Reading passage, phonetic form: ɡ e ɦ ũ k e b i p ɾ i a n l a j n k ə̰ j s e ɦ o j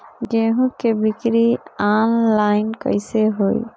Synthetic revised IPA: ɡ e ɦ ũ k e b i k ɾ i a n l a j n k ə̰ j s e ɦ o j